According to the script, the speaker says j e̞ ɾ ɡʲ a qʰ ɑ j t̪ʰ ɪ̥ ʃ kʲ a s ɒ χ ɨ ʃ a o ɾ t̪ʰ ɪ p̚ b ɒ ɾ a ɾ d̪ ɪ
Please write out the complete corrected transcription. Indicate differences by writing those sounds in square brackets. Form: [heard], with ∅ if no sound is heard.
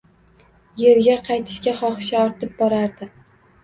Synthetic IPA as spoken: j e̞ ɾ ɡʲ a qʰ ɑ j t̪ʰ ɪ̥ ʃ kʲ a [χ] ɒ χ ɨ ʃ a [ɒ] ɾ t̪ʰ ɪ p̚ b ɒ ɾ a ɾ d̪ ɪ